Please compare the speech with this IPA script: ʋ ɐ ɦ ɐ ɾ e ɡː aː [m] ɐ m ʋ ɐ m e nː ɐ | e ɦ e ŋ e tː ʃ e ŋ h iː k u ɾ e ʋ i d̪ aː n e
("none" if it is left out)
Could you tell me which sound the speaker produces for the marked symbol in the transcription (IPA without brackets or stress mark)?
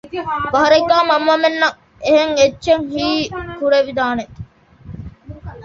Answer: m